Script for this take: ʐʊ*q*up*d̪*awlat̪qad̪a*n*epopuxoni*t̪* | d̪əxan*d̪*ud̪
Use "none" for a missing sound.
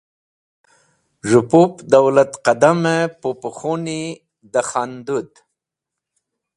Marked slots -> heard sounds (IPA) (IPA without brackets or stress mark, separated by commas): p, d̪, m, none, d̪